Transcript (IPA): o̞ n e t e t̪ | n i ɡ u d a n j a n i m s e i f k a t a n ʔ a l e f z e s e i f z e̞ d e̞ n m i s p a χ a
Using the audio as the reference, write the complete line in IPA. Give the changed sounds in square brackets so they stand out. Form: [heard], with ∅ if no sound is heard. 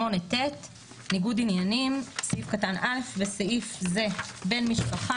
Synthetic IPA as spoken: o̞ n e t e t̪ | n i ɡ u d [i] n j a n i m s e i f k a t a n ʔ a l e f [v] e s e i f z e̞ [b] e̞ n m i [ʃ] p a χ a